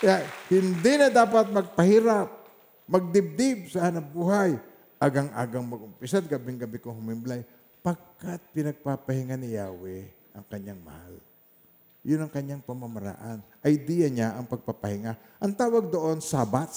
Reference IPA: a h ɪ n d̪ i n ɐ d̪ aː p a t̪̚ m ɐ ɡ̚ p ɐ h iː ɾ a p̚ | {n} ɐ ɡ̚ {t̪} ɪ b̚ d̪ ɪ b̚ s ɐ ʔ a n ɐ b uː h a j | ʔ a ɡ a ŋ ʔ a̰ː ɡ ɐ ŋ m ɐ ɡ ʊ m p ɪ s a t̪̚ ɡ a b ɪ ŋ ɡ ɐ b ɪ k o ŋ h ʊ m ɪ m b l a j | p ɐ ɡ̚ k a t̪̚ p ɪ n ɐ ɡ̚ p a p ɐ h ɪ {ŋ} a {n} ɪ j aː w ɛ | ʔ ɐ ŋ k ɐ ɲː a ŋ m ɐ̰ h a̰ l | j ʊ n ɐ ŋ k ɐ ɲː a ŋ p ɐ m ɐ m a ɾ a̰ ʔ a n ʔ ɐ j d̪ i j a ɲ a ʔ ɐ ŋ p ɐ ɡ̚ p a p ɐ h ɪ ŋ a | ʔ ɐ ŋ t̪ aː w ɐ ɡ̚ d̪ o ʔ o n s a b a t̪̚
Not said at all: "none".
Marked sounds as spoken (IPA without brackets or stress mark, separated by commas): m, d̪, ŋ, n